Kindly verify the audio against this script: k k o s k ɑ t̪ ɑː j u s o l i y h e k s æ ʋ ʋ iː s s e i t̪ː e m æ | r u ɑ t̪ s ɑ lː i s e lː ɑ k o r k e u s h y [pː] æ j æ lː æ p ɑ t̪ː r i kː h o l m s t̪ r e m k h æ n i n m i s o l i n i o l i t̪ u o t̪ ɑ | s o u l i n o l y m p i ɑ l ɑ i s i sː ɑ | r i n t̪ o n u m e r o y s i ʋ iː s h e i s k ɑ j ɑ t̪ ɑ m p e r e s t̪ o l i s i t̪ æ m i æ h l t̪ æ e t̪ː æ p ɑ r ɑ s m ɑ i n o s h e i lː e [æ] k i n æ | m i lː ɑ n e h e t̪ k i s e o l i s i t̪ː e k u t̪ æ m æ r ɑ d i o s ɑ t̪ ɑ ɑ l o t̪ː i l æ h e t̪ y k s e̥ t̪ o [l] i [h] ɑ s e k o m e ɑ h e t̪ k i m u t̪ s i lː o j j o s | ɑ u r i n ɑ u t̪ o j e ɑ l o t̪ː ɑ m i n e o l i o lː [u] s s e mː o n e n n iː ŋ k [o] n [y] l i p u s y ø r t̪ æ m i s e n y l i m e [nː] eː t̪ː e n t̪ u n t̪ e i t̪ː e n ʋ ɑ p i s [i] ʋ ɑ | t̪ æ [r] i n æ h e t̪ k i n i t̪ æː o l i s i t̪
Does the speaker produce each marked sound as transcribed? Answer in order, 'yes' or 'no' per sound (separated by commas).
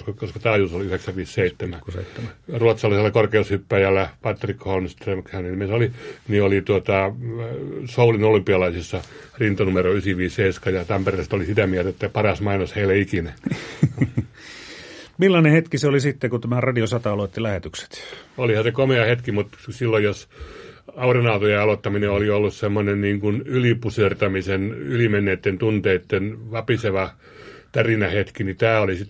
yes, no, yes, yes, yes, no, yes, yes, no, yes